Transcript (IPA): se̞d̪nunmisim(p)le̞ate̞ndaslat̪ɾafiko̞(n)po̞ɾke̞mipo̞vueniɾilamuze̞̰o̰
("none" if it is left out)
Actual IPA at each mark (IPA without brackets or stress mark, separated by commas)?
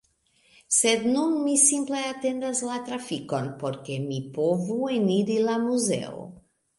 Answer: p, n